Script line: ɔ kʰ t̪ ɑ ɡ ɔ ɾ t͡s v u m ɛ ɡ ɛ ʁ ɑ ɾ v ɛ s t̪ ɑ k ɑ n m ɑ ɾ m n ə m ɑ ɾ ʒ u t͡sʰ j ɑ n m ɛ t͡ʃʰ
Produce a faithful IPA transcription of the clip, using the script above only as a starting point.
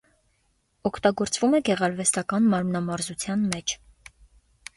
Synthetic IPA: ɔ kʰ t̪ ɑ ɡ ɔ ɾ t͡s v u m ɛ ɡ ɛ ʁ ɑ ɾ v ɛ s t̪ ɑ k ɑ n m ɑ ɾ m n ɑ m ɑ ɾ z u t͡sʰ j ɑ n m ɛ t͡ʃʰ